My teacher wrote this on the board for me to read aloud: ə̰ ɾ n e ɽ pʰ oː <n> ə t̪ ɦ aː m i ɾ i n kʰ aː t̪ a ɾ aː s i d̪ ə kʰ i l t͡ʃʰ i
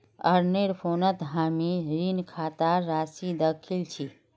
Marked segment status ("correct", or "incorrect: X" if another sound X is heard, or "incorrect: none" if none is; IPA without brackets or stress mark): correct